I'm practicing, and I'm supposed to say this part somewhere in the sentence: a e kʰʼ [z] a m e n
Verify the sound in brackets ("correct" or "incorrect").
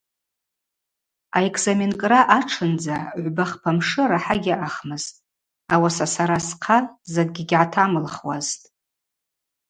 correct